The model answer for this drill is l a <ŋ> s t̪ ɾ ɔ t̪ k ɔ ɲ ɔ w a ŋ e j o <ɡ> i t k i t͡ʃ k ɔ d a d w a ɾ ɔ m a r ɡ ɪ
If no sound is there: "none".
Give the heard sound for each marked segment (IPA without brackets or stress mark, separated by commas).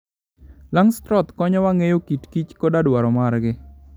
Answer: ŋ, k